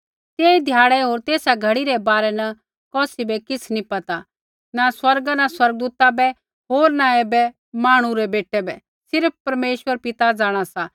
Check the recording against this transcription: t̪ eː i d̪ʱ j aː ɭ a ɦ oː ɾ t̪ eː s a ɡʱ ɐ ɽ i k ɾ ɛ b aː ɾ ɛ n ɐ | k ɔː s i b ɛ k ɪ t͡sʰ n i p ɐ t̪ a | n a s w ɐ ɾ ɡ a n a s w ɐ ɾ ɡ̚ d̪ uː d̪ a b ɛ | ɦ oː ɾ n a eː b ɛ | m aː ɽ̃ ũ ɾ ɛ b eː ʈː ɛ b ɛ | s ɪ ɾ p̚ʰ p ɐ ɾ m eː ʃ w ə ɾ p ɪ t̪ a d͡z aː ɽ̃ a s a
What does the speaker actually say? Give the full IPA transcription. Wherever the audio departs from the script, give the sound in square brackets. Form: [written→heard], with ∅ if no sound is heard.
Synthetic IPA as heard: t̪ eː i d̪ʱ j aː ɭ [a→ɛ] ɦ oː ɾ t̪ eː s a ɡʱ ɐ ɽ i [k→∅] ɾ ɛ b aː ɾ ɛ n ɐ | k ɔː s i b ɛ k ɪ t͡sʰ n i p ɐ t̪ a | n a s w ɐ ɾ ɡ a n a s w ɐ ɾ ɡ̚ d̪ uː [d̪→t̪] a b ɛ | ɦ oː ɾ n a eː b ɛ | m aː ɽ̃ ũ ɾ ɛ b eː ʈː ɛ b ɛ | s ɪ ɾ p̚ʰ p ɐ ɾ m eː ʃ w ə ɾ p ɪ t̪ a d͡z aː ɽ̃ a s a